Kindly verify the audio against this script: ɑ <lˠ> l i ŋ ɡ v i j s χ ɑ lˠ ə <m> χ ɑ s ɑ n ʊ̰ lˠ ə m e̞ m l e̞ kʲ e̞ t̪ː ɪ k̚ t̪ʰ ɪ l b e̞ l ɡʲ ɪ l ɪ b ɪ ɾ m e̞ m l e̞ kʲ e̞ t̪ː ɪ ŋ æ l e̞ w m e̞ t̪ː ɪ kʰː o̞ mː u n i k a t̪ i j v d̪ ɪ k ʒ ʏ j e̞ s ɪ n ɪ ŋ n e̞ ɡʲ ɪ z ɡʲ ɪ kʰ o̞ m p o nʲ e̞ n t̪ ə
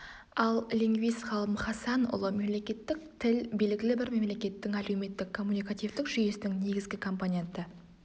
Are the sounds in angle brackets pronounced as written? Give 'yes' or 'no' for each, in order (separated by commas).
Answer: yes, yes